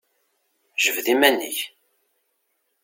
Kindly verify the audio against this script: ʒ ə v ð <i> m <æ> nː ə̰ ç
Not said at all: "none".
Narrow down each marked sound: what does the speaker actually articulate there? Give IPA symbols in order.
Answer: i, æ

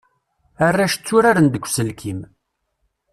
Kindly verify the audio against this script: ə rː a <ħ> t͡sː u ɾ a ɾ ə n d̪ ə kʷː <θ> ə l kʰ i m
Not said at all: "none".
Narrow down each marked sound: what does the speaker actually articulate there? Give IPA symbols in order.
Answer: ʃ, s

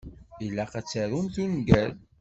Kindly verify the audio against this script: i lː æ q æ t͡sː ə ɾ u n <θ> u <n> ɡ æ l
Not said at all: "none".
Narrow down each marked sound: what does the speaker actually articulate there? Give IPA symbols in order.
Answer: θ, n

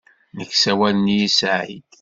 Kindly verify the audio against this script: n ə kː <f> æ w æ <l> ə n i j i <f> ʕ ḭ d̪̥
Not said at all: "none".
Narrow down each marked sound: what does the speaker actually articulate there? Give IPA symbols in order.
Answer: s, l, s

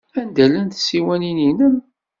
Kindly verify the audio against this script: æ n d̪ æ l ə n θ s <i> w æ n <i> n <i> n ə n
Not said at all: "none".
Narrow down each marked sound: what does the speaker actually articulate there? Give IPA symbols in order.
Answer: i, i, i

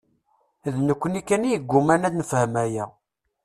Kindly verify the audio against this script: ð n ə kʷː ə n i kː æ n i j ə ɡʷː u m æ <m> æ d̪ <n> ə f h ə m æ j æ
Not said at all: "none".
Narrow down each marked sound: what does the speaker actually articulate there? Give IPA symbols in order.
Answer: n, n

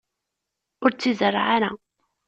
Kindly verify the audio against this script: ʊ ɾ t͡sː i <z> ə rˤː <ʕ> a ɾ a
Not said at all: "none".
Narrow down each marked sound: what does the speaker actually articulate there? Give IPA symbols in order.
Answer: z, ʕ

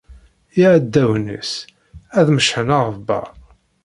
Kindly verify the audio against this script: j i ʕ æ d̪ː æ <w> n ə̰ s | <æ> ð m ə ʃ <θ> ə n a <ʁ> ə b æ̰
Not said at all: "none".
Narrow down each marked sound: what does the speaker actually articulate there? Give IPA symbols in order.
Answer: w, æ, ħ, ʁ

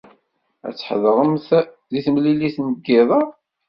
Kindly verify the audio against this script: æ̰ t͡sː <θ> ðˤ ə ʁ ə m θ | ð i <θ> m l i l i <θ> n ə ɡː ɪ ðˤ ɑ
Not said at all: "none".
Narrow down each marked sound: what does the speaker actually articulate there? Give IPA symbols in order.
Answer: ħ, θ, θ

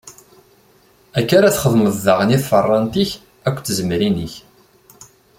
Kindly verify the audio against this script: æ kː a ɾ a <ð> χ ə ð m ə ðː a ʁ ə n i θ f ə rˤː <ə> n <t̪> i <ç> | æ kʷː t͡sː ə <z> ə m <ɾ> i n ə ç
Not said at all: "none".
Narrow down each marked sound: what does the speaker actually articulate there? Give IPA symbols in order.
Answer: θ, ɑ, t̪, ç, z, ɾ

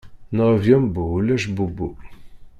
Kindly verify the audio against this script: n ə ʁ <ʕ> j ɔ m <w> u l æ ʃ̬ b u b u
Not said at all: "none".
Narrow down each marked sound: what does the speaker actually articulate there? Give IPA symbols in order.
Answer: v, b

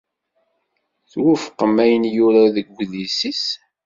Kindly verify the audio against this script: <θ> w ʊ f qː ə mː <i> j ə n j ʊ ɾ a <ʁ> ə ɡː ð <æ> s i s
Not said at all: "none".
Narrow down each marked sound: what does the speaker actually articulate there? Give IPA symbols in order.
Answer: θ, æ, ð, i

